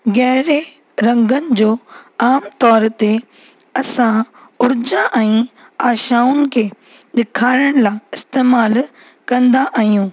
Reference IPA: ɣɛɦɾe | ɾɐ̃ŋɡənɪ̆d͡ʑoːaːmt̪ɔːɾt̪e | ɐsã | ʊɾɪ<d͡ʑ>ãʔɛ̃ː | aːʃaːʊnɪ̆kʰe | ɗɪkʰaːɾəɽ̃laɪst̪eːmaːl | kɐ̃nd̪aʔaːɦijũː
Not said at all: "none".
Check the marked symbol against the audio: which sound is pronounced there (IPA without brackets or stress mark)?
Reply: d͡ʑ